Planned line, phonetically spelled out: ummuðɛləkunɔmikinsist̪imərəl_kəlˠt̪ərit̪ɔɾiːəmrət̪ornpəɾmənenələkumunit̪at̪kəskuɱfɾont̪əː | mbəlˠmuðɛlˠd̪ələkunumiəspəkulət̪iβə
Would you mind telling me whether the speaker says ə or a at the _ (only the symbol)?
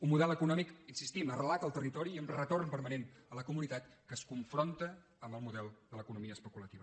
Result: a